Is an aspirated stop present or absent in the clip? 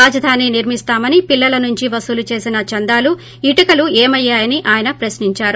absent